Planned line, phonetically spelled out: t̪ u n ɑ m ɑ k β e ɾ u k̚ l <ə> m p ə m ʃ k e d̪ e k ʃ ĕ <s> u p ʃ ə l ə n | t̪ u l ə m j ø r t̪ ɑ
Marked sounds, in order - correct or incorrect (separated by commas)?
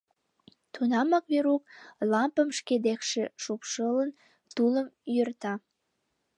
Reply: incorrect, incorrect